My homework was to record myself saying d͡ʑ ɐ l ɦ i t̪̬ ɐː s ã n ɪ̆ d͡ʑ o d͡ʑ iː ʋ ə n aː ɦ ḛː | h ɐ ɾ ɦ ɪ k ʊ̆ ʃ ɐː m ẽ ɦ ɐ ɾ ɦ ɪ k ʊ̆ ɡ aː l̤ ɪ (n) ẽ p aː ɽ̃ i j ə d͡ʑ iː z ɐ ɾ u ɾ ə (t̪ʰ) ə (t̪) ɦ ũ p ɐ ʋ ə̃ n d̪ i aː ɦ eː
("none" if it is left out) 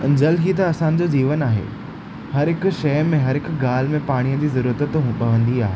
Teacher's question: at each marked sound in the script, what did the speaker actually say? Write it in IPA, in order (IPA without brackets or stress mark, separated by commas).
m, t̪, t̪